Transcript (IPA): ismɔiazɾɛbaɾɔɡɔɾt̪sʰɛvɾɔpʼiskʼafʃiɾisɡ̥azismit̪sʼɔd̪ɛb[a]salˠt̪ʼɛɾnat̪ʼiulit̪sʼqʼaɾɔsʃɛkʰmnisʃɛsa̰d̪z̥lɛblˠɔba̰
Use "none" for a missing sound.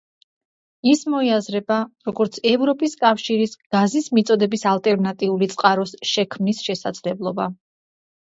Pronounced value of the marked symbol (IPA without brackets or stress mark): i